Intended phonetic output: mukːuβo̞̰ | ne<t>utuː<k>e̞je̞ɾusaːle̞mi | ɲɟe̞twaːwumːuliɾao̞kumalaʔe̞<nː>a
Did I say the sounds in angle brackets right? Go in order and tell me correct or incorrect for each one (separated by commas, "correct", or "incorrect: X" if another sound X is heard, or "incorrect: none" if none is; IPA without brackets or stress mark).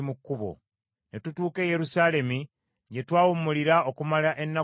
correct, correct, correct